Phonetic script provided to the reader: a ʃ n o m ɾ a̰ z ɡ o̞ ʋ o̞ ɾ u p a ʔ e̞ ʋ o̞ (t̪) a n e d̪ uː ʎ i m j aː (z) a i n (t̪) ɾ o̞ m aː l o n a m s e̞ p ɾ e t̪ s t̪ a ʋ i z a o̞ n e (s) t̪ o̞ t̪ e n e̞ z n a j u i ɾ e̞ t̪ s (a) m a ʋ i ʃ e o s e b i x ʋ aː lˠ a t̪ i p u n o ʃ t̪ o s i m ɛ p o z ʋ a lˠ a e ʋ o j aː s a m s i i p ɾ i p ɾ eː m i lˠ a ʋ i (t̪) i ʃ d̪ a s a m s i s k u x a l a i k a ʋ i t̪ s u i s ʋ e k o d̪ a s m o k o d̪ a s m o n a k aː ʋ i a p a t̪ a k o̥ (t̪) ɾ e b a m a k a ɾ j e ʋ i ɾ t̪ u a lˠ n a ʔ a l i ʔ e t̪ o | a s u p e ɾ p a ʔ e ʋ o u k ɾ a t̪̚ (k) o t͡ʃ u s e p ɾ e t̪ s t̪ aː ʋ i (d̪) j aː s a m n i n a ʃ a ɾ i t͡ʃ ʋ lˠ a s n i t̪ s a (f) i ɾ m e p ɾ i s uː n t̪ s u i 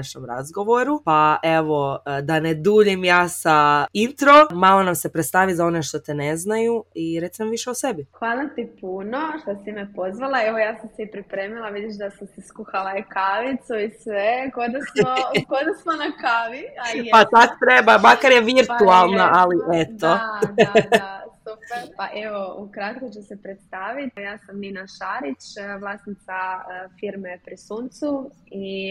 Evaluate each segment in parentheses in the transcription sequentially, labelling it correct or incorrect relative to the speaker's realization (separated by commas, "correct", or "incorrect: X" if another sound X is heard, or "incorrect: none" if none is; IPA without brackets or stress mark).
incorrect: d̪, incorrect: s, correct, incorrect: ʃ, incorrect: i, incorrect: d̪, correct, correct, incorrect: t̪, correct